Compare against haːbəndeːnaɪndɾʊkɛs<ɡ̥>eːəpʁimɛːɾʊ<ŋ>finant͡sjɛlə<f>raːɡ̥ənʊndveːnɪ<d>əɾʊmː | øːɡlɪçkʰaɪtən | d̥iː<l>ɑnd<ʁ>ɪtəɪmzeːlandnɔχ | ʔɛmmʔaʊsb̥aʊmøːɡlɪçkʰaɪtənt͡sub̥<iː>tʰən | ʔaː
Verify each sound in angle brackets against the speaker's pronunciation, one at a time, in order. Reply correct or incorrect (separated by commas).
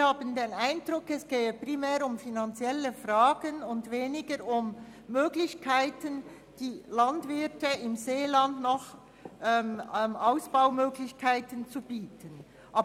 correct, incorrect, correct, incorrect, correct, incorrect, correct